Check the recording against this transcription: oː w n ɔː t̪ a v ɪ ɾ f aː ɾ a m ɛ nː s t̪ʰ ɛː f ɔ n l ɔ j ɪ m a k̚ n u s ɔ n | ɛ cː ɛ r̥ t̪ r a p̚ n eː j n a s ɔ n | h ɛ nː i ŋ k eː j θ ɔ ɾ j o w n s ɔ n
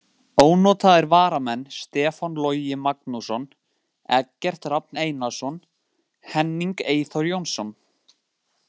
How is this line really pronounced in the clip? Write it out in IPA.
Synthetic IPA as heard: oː w n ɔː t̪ a ð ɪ ɾ v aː ɾ a m ɛ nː s t̪ ɛː f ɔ n l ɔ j ɪ m a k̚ n u s ɔ n | ɛ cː ɛ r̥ t̪ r a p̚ n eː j n a s ɔ n | h ɛ nː i ŋ k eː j θ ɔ ɾ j o w n s ɔ n